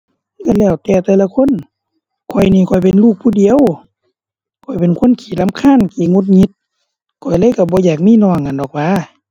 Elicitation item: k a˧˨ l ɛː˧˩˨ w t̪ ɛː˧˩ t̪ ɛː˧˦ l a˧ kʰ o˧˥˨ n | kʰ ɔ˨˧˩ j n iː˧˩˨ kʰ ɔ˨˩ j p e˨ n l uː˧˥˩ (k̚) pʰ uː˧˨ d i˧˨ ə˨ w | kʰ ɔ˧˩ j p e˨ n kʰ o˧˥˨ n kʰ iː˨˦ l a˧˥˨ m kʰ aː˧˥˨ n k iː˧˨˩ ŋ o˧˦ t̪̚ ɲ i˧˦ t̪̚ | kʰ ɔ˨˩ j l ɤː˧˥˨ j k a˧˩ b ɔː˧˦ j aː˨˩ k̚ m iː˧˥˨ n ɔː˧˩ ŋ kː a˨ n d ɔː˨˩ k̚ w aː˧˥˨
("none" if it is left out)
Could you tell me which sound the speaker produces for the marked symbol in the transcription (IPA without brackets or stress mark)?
k̚